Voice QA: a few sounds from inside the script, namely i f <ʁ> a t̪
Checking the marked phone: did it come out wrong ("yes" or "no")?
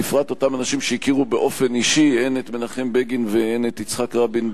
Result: no